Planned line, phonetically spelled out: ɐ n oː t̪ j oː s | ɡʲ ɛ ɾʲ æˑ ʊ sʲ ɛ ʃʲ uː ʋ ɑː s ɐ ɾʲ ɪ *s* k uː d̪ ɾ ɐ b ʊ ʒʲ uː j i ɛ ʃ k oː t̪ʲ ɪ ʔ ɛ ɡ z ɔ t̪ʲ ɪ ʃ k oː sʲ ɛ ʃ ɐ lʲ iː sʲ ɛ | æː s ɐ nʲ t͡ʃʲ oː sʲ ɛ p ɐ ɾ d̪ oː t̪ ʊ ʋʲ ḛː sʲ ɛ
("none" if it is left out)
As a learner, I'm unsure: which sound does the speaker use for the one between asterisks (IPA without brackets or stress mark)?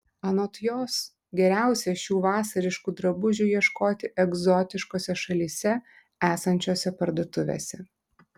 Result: ʃ